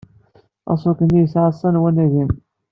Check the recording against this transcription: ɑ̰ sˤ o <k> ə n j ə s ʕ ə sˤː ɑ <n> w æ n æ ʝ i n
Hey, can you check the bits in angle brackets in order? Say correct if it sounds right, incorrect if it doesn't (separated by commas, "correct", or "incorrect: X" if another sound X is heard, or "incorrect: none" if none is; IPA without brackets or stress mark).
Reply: correct, correct